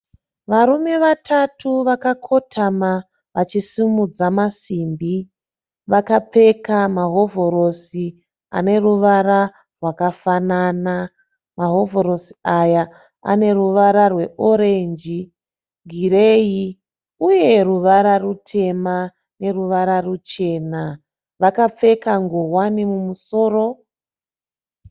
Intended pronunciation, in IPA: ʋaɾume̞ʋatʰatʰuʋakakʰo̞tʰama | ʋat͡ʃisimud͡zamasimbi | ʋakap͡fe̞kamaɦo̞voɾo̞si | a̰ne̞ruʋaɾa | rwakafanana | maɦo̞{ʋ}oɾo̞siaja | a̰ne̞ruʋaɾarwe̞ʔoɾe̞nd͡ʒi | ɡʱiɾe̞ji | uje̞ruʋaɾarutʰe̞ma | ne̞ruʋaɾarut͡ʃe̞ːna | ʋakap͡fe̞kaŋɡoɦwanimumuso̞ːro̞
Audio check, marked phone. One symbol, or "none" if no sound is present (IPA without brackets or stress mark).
v